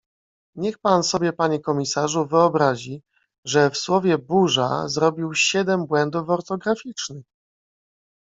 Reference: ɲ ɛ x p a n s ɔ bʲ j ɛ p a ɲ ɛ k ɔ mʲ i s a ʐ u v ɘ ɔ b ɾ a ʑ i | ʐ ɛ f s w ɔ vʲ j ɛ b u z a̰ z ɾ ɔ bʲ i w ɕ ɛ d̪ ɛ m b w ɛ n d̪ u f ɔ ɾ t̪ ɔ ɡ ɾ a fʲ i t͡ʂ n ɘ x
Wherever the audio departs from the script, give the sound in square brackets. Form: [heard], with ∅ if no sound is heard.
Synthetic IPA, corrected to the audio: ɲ ɛ x p a n s ɔ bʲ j ɛ p a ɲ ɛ k ɔ mʲ i s a ʐ u v ɘ ɔ b ɾ a ʑ i | ʐ ɛ f s w ɔ vʲ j ɛ b u [ʐ] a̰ z ɾ ɔ bʲ i w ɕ ɛ d̪ ɛ m b w ɛ n d̪ u f ɔ ɾ t̪ ɔ ɡ ɾ a fʲ i t͡ʂ n ɘ x